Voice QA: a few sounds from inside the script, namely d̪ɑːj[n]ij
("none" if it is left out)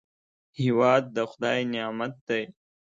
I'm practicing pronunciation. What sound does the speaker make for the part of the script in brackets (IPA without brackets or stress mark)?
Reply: n